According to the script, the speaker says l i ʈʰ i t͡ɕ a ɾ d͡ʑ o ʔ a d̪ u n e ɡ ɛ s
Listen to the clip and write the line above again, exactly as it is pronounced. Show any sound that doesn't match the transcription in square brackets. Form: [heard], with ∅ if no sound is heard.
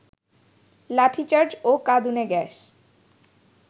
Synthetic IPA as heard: l [a] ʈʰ i t͡ɕ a ɾ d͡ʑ o [k] a d̪ u n e ɡ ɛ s